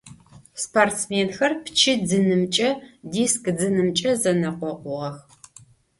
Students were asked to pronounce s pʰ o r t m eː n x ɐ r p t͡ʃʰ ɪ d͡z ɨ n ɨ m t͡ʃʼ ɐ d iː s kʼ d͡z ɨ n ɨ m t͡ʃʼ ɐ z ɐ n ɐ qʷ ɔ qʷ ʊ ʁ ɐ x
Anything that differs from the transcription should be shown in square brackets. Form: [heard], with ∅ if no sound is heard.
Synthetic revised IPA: s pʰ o r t m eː n x ɐ r p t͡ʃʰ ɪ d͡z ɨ n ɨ m t͡ʃʼ ɐ d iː s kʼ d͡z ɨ n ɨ m t͡ʃʼ ɐ z ɐ n ɐ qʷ ɔ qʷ ʊ ʁ ɐ x